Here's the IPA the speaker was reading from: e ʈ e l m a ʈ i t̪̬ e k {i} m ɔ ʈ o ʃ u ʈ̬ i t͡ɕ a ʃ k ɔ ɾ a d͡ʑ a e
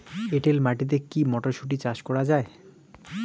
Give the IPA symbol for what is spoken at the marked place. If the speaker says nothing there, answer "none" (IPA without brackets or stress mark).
i